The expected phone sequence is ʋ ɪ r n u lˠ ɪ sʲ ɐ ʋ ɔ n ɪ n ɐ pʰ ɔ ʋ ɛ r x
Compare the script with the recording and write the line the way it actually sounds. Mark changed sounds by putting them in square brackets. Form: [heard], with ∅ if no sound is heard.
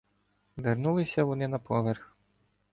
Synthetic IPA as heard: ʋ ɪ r n u lˠ ɪ sʲ ɐ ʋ ɔ n ɪ n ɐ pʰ ɔ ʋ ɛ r x